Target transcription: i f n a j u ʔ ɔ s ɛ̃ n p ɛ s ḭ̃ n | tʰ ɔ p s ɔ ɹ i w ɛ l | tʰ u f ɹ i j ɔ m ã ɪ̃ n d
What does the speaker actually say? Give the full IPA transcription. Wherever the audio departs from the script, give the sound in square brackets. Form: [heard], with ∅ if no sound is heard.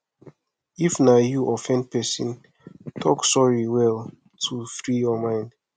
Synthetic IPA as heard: i f n a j u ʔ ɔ [f] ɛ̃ n p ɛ s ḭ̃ n | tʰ ɔ [k] s ɔ ɹ i w ɛ l | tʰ u f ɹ i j ɔ m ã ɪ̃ n d